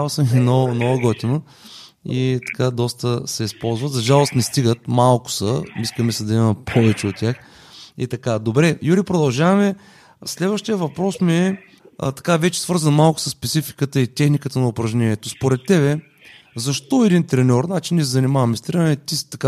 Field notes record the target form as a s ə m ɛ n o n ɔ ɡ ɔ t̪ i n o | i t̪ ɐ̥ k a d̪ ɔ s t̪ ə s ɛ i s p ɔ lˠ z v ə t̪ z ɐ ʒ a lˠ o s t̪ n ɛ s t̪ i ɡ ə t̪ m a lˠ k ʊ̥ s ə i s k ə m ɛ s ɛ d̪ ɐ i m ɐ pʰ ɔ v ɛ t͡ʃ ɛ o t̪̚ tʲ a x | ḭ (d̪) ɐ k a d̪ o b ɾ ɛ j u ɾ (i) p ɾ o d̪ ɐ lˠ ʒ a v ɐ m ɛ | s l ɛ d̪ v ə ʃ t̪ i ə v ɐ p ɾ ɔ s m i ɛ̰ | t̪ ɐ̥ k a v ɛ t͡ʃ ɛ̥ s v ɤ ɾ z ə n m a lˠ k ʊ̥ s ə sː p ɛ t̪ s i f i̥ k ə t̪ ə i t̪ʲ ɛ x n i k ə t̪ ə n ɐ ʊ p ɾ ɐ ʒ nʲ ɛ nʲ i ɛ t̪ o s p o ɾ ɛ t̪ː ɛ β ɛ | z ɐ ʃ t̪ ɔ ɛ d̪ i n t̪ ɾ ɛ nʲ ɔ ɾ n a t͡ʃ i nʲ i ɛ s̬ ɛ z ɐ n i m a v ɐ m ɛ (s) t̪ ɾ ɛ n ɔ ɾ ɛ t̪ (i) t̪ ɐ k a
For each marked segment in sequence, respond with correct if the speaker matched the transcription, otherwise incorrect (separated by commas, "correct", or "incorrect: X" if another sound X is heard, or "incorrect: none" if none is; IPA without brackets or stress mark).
incorrect: t̪, correct, correct, correct